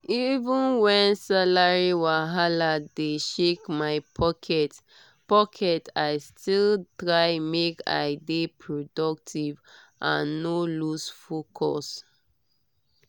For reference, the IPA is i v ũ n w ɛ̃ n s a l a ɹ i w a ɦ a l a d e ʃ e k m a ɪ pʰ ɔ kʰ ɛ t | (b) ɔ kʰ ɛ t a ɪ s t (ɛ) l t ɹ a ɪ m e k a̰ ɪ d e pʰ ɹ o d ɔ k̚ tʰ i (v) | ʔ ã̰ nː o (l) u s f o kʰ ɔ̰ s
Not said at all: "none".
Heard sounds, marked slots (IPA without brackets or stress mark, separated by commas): p, i, v, l